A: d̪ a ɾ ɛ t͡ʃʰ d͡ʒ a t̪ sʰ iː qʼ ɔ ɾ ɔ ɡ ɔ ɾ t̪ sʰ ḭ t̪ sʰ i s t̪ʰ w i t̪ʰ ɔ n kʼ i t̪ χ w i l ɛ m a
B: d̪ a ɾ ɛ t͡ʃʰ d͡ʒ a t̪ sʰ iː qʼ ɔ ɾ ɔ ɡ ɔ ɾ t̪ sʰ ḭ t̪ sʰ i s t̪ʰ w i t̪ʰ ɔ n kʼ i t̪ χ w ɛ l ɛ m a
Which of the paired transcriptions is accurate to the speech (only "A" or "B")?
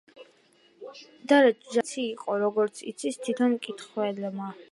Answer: B